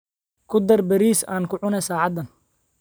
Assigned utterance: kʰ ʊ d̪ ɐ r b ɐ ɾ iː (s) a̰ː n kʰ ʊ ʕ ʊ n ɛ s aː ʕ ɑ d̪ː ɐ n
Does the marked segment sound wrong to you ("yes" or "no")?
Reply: no